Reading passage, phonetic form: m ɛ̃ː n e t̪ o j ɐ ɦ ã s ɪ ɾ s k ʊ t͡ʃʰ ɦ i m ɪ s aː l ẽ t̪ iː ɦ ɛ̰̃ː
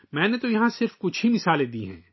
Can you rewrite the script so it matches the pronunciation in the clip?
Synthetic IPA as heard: m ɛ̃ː n e t̪ o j ɐ ɦ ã s ɪ ɾ f k ʊ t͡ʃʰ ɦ i m ɪ s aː l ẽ d̪ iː ɦ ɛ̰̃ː